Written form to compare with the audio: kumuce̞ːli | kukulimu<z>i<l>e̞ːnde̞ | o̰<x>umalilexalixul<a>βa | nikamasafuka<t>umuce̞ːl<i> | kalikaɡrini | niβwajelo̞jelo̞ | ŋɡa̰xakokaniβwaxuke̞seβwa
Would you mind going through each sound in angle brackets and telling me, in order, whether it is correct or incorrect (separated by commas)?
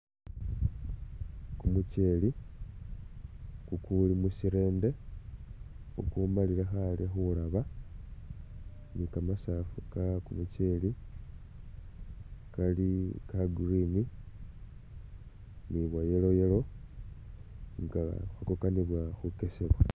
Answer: incorrect, incorrect, incorrect, correct, incorrect, correct